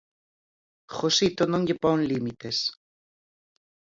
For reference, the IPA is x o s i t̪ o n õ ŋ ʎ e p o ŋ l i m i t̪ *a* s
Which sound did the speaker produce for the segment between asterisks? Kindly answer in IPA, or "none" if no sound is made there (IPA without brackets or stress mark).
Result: e